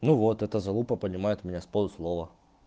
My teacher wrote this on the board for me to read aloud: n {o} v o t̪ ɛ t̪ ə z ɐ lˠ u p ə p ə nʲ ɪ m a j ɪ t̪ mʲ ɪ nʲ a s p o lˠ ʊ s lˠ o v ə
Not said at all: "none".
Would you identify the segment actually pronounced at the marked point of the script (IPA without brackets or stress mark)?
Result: u